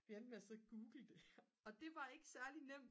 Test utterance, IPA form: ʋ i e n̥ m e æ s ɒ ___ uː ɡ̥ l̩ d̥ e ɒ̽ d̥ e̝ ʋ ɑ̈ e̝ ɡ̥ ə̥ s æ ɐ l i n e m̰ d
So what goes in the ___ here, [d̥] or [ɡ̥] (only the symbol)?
ɡ̥